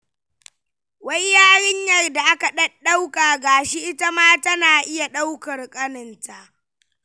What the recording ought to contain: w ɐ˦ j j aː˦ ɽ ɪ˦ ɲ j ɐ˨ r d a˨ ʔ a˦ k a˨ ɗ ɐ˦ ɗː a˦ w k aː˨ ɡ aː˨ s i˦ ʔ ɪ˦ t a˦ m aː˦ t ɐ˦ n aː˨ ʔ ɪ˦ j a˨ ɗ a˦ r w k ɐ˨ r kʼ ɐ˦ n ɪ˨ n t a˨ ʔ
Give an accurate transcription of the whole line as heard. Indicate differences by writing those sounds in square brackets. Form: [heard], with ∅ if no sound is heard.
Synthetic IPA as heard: w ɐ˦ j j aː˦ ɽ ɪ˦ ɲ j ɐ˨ r d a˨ ʔ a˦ k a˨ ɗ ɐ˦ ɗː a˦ w k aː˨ ɡ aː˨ [ʃ] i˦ ʔ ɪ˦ t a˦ m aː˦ t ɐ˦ n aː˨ ʔ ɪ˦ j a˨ ɗ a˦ [∅] w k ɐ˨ r kʼ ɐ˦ n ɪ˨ n t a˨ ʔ